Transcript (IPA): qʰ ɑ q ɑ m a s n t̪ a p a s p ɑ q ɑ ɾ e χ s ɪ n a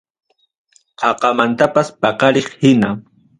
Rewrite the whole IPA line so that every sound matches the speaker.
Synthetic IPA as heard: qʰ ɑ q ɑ m a n t̪ a p a s p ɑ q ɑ ɾ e χ h ɪ n a